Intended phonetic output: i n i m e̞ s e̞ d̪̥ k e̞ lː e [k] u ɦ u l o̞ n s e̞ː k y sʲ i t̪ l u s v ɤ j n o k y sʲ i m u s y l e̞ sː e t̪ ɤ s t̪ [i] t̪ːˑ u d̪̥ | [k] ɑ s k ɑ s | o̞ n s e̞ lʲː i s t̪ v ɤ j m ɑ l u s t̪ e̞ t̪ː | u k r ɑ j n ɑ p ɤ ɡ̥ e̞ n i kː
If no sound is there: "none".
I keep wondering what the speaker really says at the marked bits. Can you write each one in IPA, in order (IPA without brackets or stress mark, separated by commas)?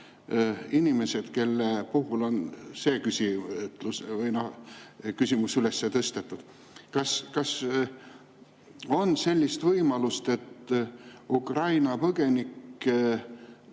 p, e, k